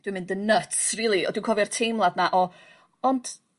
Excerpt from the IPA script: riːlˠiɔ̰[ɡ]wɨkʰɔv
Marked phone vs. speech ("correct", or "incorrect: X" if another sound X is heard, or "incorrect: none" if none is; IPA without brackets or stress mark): incorrect: d